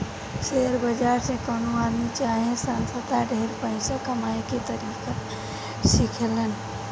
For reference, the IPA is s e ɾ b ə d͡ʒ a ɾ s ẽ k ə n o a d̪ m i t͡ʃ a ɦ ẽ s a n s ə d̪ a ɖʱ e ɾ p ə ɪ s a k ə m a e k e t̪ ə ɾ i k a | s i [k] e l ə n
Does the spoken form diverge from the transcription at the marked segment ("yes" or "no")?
yes